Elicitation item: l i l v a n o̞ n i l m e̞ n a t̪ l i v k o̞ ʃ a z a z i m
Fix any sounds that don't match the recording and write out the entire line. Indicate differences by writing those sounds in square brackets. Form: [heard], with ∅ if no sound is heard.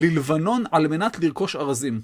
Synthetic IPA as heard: l i l v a n o̞ n [a] l m e̞ n a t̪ l i [ʁ] k o̞ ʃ a [ʁ] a z i m

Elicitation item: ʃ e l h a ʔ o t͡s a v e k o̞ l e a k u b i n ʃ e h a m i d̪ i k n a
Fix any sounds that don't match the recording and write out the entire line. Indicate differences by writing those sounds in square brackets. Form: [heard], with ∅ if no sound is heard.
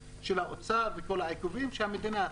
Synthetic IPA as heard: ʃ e l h a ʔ o t͡s a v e k o̞ l [a] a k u [v] i [m] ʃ e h a m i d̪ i [∅] n a

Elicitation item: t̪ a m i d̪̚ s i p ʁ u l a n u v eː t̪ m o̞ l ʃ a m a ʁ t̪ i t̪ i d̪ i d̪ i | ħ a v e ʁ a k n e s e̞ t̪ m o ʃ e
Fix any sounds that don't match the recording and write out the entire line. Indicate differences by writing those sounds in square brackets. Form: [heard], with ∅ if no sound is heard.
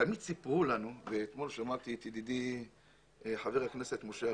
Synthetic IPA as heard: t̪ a m i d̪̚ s i p ʁ u l a n u v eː t̪ m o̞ l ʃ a m a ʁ t̪ i t̪ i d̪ i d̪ i | ħ a v e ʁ a k n e s e̞ t̪ m o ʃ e

